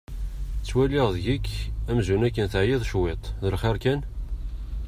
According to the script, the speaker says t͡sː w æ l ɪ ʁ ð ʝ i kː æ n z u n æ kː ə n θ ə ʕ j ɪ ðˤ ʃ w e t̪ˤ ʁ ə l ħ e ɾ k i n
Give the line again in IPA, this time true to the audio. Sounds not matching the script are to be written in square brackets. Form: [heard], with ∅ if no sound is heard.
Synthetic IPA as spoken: t͡sː w æ l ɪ ʁ ð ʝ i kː æ [m] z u n æ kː ə n θ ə ʕ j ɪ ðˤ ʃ w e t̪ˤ [ð] ə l [χ] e ɾ k [æ] n